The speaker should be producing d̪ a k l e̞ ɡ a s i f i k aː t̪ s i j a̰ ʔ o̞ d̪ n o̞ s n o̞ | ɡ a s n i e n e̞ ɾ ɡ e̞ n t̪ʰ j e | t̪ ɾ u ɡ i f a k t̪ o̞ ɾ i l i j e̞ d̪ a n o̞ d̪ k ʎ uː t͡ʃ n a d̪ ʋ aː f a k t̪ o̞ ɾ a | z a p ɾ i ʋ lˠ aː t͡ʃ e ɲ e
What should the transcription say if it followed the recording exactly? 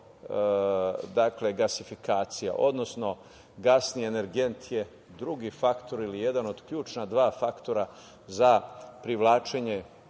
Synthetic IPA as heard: d̪ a k l e̞ ɡ a s i f i k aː t̪ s i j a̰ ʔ o̞ d̪ n o̞ s n o̞ | ɡ a s n i e n e̞ ɾ ɡ e̞ n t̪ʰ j e | d̪ ɾ u ɡ i f a k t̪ o̞ ɾ i l i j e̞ d̪ a n o̞ d̪ k ʎ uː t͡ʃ n a d̪ ʋ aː f a k t̪ o̞ ɾ a | z a p ɾ i ʋ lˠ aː t͡ʃ e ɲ e